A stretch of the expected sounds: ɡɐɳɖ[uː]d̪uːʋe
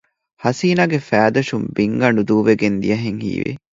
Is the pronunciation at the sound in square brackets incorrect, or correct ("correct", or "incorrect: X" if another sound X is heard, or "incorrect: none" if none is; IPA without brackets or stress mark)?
incorrect: u